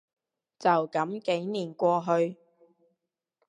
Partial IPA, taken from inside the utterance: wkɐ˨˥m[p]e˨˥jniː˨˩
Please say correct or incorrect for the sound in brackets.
incorrect: k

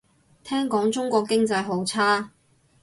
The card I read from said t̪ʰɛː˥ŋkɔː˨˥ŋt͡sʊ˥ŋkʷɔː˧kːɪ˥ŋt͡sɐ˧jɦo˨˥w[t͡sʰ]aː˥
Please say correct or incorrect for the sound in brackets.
correct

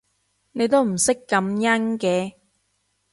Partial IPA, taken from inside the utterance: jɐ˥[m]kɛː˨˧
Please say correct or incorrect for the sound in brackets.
incorrect: n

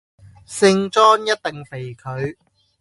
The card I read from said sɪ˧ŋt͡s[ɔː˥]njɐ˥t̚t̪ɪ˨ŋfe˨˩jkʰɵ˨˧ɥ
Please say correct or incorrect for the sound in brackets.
correct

